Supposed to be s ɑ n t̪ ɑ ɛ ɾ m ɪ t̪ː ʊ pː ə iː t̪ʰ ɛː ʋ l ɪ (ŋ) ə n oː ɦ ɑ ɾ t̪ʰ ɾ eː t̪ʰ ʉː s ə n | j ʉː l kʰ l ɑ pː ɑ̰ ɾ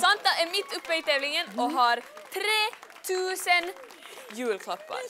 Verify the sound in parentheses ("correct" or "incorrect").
correct